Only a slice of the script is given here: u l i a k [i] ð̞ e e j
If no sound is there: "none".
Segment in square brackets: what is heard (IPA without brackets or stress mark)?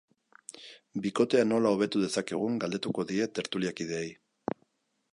i